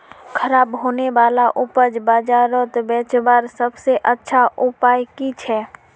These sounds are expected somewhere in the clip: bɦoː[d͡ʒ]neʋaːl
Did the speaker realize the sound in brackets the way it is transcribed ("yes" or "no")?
no